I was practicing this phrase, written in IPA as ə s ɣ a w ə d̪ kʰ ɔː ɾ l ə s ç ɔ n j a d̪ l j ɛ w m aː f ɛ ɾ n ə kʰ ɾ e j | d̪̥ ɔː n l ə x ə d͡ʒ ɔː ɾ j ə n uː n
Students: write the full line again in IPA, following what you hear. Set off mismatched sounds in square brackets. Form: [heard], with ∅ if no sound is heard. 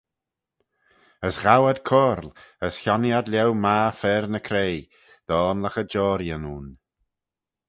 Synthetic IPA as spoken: ə s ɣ a w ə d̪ kʰ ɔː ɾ l ə s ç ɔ n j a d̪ l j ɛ w m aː f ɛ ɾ n ə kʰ ɾ e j | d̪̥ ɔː n l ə x ə d͡ʒ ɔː ɾ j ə n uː n